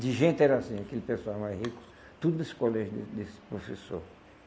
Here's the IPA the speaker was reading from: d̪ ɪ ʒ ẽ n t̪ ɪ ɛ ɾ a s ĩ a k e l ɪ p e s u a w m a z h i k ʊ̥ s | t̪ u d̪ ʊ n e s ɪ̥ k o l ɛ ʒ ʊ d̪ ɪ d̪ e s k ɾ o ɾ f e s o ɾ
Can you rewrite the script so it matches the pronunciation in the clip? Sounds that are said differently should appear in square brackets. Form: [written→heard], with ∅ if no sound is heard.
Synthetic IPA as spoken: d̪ ɪ ʒ ẽ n t̪ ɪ ɛ ɾ a s ĩ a k e l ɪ p e s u a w m a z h i k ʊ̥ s | t̪ u d̪ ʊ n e s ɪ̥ k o l ɛ ʒ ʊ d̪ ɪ d̪ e s [k→p] ɾ o [ɾ→∅] f e s o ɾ